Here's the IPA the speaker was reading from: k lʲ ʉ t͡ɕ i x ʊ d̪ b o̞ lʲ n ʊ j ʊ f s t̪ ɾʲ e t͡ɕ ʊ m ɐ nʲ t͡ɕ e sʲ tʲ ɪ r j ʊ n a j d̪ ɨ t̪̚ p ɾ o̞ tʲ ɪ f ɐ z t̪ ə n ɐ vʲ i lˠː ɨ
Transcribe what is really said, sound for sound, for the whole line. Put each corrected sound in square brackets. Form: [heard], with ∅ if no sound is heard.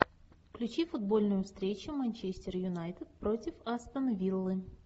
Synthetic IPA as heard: k lʲ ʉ t͡ɕ i [f] ʊ d̪ b o̞ lʲ n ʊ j ʊ f s t̪ ɾʲ e t͡ɕ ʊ m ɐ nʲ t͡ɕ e sʲ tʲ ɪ r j ʊ n a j [t̪] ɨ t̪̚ p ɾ o̞ tʲ ɪ f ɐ [s] t̪ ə n ɐ vʲ i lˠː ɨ